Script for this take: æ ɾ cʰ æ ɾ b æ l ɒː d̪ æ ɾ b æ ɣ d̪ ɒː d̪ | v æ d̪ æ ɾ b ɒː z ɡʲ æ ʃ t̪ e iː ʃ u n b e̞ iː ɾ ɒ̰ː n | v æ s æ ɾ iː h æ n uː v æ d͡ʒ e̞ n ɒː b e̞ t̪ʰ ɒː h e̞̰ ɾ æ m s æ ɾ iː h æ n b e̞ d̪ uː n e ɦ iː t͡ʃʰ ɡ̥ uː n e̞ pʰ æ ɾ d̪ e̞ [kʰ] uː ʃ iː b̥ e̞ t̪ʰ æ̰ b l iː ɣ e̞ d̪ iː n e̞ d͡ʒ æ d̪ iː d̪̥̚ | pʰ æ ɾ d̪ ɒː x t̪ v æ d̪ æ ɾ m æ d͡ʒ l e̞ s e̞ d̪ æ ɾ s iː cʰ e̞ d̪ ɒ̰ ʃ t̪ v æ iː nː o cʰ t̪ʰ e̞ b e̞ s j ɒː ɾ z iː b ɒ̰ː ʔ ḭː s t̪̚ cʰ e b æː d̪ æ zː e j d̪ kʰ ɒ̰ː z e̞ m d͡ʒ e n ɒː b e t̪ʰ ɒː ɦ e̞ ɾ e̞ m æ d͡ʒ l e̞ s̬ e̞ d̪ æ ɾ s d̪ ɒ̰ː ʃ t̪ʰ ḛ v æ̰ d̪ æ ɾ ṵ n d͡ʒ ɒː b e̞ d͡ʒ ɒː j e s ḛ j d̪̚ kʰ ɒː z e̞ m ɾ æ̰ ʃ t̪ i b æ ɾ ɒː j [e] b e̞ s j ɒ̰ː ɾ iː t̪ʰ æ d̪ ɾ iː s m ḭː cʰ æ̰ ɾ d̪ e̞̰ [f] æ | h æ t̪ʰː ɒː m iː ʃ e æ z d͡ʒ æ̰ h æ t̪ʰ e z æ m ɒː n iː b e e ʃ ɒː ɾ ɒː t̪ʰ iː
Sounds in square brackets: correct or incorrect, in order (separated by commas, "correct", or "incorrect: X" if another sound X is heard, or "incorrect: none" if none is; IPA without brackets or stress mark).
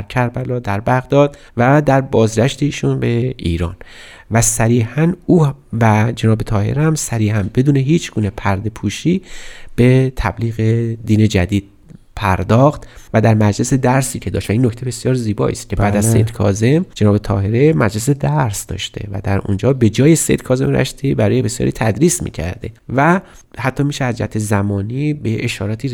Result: incorrect: pʰ, correct, incorrect: v